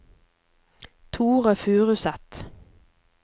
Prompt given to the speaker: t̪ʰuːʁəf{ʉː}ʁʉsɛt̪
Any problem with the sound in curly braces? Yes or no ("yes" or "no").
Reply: no